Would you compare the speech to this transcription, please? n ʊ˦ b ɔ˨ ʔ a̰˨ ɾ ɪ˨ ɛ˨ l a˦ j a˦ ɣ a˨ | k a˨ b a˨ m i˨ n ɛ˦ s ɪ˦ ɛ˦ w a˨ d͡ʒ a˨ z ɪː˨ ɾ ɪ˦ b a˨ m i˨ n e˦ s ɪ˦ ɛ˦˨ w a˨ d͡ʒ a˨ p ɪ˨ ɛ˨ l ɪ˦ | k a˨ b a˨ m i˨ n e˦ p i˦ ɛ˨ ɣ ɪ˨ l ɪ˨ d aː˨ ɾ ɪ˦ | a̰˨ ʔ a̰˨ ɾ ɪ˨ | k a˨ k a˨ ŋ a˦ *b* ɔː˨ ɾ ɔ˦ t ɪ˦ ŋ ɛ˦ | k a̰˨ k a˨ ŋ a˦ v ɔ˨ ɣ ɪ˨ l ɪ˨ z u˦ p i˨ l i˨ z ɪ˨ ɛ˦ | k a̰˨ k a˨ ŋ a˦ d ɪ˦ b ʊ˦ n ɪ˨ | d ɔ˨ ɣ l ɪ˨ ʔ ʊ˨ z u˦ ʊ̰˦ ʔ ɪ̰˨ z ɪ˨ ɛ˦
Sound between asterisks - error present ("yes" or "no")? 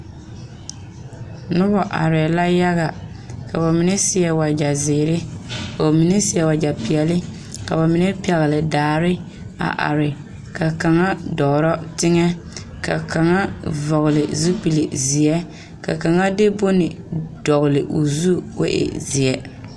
yes